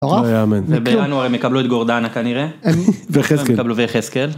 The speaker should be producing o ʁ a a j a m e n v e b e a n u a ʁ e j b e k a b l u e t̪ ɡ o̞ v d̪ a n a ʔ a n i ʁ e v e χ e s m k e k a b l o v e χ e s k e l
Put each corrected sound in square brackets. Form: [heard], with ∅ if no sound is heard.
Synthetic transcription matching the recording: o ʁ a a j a m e n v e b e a n u a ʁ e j [m] e k a b l u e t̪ ɡ o̞ [ʁ] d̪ a n a [k] a n i ʁ e v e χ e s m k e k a b l [u] v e χ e s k e l